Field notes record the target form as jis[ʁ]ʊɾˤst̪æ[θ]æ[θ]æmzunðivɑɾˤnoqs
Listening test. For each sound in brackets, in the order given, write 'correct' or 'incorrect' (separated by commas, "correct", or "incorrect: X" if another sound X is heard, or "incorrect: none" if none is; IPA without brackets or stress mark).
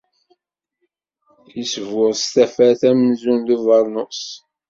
incorrect: v, incorrect: f, correct